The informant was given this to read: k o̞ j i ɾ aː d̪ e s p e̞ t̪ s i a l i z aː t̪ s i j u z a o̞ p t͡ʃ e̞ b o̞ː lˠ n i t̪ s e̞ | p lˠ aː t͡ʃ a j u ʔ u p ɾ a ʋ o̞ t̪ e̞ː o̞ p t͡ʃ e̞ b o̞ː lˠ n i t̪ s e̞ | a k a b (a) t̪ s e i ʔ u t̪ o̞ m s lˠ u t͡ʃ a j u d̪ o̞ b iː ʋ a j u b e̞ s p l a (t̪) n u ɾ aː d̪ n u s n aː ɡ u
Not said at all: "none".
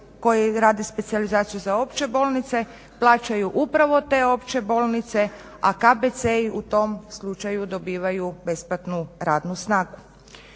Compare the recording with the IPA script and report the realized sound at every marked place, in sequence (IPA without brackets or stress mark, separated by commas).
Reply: e, t̪